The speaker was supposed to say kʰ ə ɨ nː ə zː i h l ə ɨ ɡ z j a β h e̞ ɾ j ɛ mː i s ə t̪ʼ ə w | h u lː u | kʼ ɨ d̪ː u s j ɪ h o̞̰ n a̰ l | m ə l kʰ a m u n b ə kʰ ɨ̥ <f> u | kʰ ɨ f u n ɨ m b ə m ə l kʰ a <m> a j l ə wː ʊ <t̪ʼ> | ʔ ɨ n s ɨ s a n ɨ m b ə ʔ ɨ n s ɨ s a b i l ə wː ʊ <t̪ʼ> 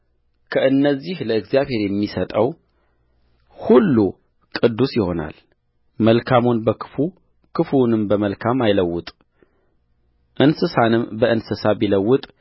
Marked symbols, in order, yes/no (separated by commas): yes, yes, yes, yes